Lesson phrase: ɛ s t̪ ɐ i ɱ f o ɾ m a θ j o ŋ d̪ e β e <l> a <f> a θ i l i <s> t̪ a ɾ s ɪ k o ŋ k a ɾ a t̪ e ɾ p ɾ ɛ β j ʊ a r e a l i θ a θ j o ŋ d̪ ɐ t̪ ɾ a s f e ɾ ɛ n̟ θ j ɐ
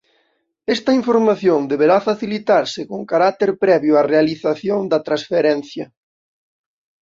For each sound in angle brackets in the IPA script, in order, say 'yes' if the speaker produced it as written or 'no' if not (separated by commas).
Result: no, yes, no